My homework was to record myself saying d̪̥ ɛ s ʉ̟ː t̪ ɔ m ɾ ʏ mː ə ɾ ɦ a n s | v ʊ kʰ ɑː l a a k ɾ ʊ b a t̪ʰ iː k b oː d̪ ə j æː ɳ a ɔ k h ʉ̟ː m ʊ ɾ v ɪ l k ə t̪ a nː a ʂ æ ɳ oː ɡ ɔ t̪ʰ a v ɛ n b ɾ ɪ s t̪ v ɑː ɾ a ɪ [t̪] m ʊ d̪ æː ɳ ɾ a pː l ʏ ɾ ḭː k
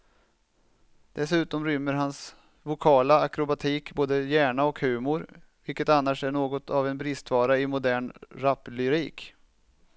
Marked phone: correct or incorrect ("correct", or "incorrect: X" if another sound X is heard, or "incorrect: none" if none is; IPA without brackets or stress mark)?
incorrect: none